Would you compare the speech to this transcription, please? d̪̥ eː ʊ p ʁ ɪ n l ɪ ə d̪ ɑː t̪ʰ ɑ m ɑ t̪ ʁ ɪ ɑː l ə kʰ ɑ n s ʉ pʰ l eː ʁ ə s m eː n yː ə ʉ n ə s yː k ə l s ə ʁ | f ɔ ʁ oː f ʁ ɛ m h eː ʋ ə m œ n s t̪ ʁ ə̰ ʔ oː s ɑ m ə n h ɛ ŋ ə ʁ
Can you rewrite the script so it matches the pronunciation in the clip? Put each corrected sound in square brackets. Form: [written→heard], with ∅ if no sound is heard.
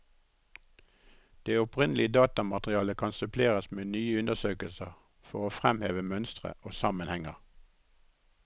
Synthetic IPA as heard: d̪̥ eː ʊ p ʁ ɪ n l ɪ ə d̪ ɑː [t̪ʰ→t̪] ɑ m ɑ t̪ ʁ ɪ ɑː l ə kʰ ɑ n s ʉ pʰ l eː ʁ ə s m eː n yː ə ʉ n ə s [yː→øː] k ə l s ə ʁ | f ɔ ʁ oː f ʁ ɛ m h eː ʋ ə m œ n s t̪ ʁ ə̰ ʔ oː s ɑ m ə n h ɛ ŋ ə ʁ